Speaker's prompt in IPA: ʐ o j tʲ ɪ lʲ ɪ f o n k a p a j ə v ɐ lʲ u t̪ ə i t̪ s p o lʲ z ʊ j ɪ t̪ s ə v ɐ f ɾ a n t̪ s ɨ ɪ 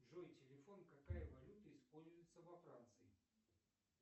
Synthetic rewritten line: ʐ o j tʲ ɪ lʲ ɪ f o n k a k a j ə v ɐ lʲ u t̪ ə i s p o lʲ z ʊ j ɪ t̪ s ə v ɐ f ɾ a n t̪ s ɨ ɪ